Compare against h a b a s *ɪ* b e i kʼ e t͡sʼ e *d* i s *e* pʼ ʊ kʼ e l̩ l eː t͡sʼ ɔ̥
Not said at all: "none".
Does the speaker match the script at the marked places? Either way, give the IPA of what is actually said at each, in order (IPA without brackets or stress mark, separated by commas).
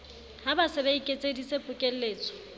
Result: ɪ, d, e